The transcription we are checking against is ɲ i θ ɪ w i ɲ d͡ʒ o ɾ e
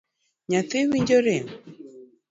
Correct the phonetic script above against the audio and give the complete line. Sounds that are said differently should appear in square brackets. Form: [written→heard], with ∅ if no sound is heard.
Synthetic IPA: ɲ [i→a] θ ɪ w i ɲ d͡ʒ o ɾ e